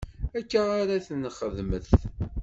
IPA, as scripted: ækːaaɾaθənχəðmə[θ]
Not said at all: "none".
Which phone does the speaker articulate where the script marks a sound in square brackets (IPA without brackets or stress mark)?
θ